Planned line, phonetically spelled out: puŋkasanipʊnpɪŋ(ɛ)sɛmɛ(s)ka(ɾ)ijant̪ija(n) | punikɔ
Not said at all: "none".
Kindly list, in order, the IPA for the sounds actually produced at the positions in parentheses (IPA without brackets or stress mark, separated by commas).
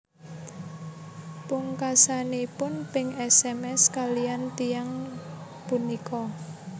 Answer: ɛ, s, l, ŋ